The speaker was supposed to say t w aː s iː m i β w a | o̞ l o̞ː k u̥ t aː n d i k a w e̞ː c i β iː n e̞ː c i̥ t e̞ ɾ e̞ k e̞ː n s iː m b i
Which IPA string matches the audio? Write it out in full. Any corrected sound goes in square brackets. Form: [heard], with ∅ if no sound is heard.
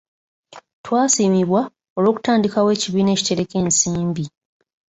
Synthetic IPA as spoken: t w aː s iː m i β w a | o̞ l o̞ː k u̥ t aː n d i k a w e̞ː c i β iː n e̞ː c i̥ t e̞ ɾ e̞ k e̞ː n s iː m b i